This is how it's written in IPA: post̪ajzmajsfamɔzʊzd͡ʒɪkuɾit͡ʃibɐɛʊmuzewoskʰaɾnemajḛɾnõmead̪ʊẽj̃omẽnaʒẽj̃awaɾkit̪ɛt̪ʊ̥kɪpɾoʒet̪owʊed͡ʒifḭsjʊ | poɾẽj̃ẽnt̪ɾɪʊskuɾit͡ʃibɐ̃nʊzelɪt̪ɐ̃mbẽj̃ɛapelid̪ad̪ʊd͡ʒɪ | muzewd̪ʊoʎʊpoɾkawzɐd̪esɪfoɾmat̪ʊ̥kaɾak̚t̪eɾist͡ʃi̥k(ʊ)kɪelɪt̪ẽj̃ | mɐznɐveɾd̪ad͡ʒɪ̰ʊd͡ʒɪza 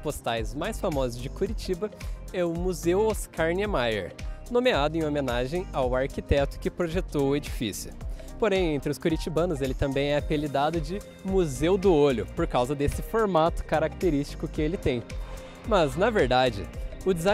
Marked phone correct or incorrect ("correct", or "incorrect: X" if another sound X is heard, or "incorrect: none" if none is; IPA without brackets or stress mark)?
correct